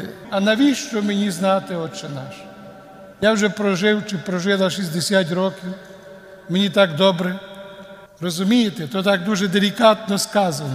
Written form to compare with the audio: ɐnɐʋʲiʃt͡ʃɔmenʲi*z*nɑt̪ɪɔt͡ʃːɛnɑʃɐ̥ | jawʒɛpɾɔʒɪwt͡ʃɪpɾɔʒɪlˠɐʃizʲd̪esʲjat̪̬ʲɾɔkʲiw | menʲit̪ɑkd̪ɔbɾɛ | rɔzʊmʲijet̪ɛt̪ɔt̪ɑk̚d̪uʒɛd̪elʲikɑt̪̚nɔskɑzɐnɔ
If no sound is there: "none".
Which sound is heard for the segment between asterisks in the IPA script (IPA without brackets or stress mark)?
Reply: z